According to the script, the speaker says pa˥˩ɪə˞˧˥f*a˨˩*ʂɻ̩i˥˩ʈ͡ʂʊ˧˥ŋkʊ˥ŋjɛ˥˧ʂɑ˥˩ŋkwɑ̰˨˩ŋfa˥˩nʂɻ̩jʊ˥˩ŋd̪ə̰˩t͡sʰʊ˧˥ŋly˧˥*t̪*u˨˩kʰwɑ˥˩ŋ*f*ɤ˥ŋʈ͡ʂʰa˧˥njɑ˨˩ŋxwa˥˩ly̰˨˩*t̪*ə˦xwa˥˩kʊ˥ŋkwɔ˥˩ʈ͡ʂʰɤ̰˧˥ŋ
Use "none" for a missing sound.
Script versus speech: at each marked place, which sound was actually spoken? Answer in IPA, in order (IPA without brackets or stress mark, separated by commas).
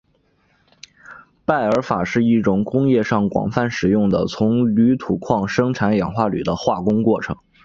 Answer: a˨˩, t̪ʰ, ʂ, d̪